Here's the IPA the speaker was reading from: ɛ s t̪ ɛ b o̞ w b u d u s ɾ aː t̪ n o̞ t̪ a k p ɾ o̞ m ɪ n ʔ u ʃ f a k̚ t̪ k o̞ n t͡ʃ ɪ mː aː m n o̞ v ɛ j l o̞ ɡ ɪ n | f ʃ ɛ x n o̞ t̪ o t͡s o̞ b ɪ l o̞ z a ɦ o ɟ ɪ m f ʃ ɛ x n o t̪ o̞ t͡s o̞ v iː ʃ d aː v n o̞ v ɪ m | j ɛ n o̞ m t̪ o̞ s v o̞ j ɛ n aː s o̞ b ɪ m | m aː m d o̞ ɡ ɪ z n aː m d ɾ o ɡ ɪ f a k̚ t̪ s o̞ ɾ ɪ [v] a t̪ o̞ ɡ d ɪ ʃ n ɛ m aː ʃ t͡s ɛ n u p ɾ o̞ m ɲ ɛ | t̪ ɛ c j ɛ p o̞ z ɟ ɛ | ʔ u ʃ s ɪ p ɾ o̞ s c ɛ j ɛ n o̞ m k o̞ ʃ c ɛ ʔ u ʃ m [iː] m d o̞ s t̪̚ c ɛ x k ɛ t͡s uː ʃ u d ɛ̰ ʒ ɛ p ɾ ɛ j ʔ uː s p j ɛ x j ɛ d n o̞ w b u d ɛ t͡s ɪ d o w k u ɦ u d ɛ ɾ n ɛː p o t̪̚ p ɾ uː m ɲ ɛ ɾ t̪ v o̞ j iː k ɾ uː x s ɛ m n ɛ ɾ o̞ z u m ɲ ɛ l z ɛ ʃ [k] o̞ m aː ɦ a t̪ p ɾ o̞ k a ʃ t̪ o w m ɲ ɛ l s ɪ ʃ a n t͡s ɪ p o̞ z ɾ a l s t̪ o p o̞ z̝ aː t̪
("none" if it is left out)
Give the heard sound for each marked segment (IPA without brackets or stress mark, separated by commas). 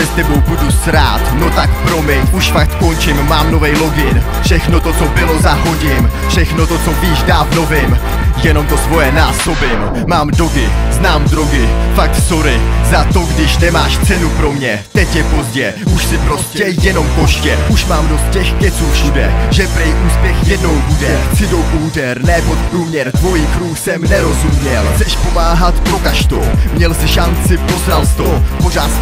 z, aː, p